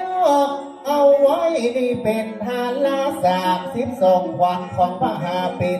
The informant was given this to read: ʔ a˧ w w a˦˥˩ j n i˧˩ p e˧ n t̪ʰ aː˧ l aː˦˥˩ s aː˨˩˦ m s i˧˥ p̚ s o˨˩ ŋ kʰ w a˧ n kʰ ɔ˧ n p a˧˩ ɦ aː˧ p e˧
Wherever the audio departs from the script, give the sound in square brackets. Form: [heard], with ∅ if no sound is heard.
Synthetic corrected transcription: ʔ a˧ w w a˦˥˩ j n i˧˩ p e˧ n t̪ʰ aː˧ l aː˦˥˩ s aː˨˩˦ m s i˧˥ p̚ s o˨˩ ŋ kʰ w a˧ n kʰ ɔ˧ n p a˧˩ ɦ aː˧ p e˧